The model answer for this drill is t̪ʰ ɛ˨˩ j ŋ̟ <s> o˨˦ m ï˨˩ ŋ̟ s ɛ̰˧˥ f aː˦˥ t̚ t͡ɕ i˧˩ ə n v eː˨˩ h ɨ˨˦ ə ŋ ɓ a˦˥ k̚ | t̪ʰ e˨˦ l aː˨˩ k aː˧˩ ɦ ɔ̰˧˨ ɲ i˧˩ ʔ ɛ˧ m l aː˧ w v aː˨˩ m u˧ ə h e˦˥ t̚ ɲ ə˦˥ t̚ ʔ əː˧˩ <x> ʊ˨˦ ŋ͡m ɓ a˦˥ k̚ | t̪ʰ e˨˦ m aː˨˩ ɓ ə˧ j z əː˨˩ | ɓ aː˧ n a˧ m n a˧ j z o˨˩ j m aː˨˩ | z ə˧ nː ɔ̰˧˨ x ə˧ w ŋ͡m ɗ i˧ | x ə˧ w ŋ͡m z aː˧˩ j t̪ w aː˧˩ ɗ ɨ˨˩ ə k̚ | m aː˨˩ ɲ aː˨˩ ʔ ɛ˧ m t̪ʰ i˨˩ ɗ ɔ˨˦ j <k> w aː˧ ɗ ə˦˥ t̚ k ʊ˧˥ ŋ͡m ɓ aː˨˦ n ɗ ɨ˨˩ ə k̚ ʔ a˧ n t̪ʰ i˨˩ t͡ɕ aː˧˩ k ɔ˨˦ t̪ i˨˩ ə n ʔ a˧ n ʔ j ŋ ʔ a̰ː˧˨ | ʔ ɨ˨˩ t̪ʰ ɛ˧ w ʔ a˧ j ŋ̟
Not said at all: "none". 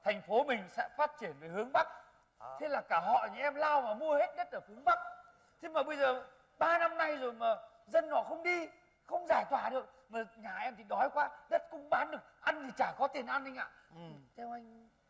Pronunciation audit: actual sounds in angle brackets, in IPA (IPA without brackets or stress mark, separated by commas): f, f, k